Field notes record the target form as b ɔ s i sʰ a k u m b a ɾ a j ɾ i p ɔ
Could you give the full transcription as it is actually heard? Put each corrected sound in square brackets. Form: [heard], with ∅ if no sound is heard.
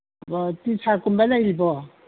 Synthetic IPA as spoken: b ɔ [t] i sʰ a k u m b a [l] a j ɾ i [b] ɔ